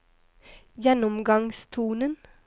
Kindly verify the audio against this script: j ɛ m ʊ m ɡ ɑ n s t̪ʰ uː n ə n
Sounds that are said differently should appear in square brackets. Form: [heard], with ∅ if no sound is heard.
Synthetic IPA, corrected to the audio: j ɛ [n] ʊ m ɡ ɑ [ŋ] s t̪ʰ uː n ə n